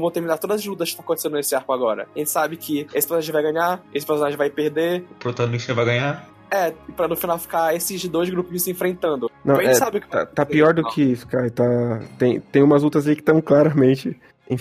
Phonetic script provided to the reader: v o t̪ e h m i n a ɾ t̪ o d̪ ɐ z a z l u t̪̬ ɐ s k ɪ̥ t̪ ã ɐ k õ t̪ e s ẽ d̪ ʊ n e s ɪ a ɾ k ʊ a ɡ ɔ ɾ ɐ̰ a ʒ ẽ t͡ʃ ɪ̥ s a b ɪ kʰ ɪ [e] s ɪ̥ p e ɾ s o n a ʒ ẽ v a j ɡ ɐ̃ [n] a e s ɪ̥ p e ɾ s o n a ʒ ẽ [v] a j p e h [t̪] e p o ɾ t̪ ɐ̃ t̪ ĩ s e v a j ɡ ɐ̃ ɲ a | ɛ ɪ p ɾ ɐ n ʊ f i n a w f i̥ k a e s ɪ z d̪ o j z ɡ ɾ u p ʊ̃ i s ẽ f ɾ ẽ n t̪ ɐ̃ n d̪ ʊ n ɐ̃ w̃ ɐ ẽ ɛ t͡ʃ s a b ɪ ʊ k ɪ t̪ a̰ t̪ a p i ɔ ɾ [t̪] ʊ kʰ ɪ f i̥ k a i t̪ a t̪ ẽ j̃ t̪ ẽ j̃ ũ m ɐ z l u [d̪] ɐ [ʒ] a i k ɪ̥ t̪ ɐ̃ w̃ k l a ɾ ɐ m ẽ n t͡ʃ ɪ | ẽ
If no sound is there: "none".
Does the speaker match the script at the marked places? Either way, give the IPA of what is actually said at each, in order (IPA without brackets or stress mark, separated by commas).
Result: e, ɲ, v, d̪, d̪, t̪, z